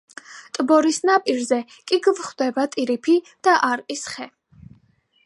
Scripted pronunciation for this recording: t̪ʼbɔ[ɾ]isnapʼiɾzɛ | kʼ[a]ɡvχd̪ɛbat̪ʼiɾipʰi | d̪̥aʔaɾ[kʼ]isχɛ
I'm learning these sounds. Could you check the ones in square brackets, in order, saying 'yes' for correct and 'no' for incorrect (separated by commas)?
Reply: yes, no, no